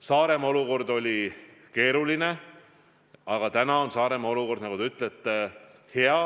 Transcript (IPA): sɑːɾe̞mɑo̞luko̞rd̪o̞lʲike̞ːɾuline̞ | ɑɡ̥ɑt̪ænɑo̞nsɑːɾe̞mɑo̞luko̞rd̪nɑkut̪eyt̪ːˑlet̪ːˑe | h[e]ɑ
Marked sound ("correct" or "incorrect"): correct